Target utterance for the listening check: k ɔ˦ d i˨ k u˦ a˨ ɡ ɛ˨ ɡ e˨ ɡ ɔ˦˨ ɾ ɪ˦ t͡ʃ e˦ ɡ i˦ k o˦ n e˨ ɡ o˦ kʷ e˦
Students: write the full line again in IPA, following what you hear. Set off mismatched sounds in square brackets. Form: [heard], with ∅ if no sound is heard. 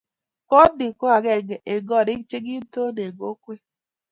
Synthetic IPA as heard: k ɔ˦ d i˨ k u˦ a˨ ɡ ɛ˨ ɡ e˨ ɡ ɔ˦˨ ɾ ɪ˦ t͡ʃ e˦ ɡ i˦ [t] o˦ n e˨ ɡ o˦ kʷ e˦